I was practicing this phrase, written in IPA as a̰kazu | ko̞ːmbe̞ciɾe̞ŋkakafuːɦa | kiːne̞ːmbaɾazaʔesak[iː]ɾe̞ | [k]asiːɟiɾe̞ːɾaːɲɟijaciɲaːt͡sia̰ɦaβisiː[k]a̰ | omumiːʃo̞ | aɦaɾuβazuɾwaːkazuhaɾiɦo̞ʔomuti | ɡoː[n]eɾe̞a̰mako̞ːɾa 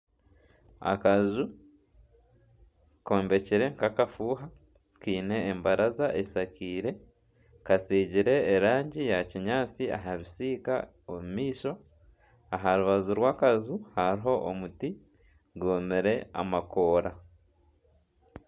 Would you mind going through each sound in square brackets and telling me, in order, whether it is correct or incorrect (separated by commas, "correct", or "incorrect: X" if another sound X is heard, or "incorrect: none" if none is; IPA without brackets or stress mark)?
correct, correct, correct, incorrect: m